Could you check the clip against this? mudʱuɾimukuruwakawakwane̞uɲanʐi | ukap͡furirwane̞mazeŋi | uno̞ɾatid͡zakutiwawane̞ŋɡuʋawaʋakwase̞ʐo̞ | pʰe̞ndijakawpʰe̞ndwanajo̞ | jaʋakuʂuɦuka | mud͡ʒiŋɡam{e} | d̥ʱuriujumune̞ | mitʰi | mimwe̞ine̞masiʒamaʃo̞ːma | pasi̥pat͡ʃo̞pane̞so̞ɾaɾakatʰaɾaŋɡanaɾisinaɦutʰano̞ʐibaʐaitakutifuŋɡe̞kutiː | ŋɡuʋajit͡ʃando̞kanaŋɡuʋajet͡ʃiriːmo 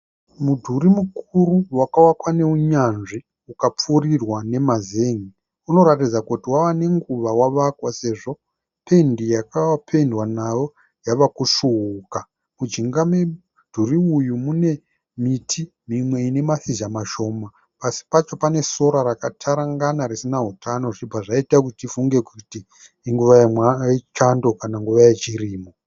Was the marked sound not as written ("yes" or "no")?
no